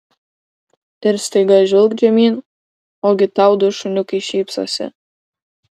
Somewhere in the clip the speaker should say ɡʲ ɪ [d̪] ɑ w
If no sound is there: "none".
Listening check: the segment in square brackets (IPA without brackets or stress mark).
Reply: t̪